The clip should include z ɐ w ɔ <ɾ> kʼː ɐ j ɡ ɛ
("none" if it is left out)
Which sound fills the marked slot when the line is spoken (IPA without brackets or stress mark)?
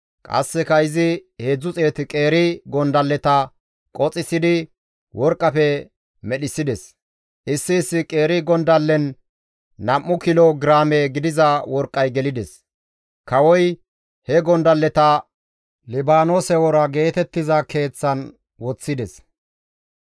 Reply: ɾ